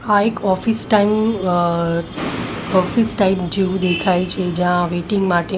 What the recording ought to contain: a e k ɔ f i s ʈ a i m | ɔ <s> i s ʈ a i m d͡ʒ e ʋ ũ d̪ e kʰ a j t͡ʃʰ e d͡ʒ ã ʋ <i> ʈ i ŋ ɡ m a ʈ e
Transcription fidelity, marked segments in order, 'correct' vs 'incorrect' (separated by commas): incorrect, incorrect